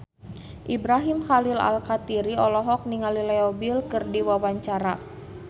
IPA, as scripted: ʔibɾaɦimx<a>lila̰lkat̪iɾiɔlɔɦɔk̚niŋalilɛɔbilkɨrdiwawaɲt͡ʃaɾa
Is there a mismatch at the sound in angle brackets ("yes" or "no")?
no